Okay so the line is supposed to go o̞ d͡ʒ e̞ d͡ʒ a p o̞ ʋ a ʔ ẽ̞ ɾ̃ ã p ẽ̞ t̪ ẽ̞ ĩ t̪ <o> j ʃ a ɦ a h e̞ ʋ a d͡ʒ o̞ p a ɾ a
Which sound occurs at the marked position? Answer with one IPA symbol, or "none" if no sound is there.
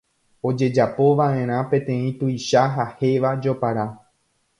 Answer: u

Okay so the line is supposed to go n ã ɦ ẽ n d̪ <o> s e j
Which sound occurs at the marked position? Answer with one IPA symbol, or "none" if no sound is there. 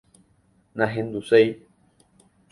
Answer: u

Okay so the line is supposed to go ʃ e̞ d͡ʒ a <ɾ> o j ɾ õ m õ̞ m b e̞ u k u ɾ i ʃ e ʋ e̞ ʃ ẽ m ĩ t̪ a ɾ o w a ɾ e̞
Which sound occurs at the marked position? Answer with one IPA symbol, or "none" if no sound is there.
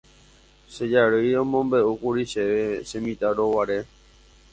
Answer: ɾ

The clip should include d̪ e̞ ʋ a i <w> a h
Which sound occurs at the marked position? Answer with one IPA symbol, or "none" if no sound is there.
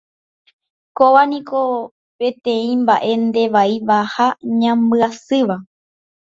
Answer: ʋ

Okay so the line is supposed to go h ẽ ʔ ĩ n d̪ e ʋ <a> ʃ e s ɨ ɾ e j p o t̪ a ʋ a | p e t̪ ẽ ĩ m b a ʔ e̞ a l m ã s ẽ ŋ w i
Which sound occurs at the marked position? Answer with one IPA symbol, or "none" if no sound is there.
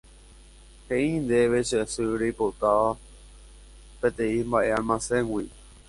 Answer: e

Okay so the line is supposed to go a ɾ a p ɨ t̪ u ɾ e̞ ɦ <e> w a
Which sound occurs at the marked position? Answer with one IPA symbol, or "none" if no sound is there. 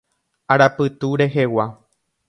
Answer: e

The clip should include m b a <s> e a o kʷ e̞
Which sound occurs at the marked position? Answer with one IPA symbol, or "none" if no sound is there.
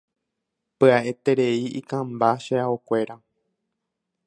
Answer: ʃ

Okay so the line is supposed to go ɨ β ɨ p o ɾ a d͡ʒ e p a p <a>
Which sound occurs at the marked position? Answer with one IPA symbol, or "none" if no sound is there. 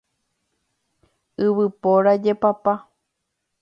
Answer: a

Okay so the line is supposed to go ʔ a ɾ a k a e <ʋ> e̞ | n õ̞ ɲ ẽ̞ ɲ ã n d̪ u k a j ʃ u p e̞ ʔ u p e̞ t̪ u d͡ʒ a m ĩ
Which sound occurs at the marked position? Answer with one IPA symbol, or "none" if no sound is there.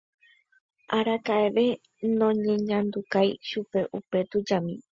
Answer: ʋ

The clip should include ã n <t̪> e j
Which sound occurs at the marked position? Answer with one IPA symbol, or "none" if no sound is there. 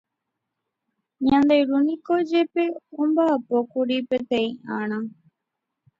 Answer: d̪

